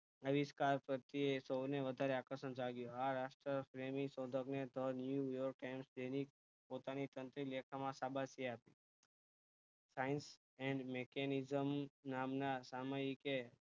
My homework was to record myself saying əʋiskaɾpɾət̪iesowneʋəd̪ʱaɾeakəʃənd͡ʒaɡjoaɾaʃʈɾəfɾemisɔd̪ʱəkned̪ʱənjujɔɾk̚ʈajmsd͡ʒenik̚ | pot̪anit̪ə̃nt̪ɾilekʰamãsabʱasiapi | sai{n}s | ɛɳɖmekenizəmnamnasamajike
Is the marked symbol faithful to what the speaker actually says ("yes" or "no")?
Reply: yes